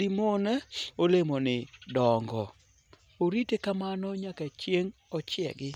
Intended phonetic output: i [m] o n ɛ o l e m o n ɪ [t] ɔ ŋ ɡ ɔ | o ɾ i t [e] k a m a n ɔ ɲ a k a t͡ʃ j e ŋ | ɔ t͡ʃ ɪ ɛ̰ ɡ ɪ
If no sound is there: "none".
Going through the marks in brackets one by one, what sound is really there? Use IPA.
m, d, e

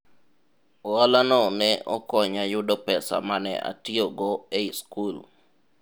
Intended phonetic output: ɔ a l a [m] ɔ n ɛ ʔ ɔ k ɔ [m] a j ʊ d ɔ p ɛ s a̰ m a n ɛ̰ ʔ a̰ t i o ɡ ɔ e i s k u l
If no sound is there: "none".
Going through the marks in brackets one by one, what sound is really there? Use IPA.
n, ɲ

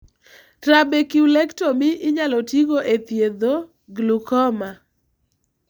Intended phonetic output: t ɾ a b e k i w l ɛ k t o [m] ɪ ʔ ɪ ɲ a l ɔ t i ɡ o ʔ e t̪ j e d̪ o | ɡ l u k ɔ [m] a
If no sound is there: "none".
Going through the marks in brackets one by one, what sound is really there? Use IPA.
m, m

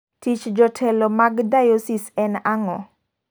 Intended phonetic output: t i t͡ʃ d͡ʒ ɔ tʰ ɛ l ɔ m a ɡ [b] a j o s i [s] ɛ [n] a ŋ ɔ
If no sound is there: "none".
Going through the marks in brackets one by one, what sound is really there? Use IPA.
d, s, n

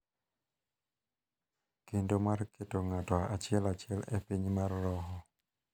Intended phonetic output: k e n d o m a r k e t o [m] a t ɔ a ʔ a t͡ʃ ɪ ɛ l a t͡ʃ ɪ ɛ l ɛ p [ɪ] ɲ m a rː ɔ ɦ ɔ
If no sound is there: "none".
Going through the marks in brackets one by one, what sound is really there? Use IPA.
ŋ, i

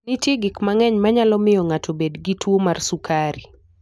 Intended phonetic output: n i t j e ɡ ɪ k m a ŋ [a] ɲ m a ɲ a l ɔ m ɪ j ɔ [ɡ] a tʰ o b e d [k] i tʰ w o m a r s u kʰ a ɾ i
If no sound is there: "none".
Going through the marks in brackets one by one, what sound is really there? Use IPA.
ɛ, ŋ, ɡ

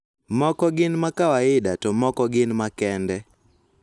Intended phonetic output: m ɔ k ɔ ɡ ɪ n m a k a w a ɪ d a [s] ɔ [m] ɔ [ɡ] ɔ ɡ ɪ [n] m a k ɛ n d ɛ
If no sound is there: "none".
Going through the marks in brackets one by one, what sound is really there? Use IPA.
t, m, k, n

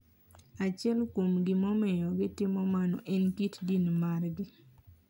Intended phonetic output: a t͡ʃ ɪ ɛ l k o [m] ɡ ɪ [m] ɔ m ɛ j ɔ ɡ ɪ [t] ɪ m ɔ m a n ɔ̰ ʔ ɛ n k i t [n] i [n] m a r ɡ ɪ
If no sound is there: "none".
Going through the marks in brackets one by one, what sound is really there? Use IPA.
m, m, t, d, n

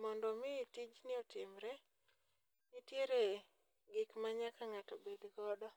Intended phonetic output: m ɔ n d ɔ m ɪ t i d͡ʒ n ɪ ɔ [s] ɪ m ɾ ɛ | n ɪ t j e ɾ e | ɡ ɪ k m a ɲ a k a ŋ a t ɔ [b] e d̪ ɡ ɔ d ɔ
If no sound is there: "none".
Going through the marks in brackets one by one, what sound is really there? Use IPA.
t, b

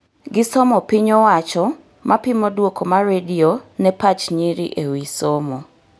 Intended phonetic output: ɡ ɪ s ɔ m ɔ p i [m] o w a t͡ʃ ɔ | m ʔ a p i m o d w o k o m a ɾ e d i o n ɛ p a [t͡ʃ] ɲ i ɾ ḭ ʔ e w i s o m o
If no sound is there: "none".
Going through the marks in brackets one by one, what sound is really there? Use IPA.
ɲ, t͡ʃ

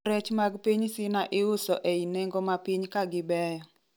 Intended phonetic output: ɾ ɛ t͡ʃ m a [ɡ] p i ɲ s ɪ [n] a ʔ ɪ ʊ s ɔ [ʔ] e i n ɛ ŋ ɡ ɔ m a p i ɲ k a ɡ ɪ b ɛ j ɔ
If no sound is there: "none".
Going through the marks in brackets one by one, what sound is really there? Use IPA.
ɡ, n, ʔ

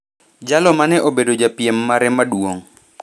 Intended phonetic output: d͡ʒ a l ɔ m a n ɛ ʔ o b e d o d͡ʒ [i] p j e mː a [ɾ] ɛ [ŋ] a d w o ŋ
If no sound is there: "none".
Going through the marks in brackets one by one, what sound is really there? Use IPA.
a, ɾ, m

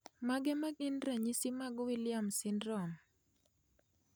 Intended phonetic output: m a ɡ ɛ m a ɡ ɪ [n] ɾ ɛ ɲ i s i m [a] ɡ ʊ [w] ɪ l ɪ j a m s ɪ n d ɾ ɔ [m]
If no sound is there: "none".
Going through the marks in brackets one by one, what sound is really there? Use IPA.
n, a, w, m

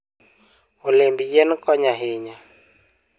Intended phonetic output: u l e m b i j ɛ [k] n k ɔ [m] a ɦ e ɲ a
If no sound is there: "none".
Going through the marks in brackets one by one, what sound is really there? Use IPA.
none, ɲ

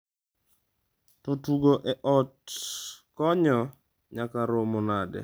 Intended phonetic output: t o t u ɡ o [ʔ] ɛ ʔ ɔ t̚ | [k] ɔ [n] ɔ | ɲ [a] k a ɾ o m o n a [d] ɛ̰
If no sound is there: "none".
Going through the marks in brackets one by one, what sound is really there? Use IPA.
ʔ, k, ɲ, a, d

